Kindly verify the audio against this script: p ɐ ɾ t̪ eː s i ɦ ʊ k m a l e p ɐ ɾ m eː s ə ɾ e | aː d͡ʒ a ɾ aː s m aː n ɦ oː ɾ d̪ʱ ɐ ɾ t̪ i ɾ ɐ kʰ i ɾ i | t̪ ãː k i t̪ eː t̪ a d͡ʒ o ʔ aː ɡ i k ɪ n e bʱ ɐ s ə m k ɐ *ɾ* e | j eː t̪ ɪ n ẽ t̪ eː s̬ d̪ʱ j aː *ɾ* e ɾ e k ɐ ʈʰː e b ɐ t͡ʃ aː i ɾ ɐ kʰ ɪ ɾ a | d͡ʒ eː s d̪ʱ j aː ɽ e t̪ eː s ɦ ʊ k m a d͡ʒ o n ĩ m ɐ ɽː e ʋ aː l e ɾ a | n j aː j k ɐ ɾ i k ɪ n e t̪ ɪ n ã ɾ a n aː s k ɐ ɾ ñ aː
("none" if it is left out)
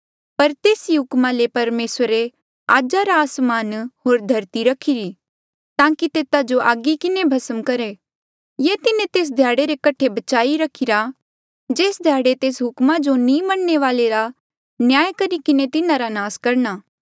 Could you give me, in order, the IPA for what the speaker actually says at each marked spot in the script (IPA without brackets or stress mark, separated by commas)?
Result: ɾ, ɽ